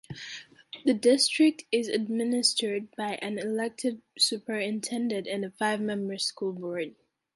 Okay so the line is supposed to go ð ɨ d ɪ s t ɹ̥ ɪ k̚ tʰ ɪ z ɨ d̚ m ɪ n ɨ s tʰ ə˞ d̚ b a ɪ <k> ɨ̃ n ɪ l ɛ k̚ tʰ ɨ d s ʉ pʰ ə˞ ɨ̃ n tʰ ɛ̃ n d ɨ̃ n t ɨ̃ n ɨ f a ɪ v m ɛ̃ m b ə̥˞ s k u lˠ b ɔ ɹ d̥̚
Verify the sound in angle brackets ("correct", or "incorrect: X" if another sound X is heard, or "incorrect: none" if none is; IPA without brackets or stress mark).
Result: incorrect: ʔ